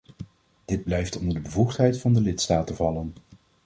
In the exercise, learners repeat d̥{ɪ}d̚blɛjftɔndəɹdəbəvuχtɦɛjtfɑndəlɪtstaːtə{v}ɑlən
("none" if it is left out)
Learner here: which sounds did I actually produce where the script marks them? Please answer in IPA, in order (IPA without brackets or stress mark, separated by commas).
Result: ɪ, v